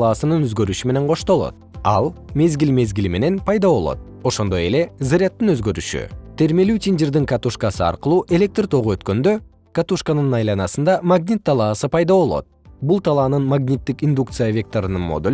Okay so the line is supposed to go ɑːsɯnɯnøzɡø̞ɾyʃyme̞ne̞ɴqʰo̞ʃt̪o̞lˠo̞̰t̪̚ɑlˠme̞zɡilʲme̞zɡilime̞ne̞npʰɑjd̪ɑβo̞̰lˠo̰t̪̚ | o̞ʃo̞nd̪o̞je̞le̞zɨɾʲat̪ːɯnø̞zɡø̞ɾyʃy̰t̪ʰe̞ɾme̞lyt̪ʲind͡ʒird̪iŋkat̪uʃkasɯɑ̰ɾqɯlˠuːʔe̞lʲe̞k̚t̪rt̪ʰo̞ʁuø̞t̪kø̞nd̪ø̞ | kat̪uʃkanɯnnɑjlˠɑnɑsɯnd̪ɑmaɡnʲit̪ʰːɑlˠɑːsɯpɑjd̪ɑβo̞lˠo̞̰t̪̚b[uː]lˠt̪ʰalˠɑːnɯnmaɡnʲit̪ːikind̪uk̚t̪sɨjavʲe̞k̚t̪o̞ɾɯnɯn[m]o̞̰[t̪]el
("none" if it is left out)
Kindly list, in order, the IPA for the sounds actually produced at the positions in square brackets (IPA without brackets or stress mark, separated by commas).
u, m, d̪